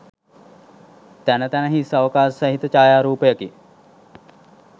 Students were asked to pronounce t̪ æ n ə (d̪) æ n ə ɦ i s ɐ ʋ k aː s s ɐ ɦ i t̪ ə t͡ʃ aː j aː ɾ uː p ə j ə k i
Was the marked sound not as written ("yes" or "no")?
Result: yes